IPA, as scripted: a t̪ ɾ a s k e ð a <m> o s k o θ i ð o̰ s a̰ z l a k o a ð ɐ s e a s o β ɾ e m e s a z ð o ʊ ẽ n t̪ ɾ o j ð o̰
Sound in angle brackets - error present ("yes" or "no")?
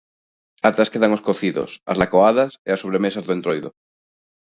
yes